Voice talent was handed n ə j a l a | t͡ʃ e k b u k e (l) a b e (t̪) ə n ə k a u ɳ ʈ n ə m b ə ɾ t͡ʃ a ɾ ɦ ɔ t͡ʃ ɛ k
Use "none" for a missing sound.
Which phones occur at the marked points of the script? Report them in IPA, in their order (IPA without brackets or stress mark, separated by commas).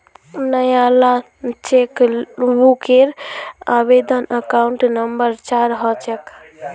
ɾ, d̪